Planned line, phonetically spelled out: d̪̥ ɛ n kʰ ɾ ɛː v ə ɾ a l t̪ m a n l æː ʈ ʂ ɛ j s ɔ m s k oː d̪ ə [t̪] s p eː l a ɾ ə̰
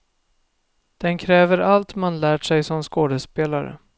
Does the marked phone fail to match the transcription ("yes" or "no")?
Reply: yes